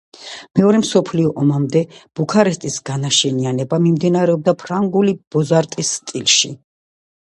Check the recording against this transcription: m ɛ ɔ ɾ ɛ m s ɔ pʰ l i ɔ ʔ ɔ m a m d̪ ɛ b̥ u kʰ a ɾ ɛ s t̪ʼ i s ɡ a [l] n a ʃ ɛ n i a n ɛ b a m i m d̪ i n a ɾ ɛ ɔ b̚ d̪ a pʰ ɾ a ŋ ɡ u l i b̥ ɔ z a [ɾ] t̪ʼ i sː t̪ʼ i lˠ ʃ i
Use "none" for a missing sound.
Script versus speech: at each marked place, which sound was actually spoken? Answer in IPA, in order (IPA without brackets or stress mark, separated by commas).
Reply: none, ɾ